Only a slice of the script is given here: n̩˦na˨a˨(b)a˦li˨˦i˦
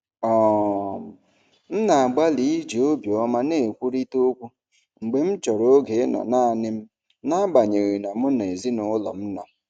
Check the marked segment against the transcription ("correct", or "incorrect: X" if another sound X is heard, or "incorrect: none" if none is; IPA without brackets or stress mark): incorrect: ɡ͡b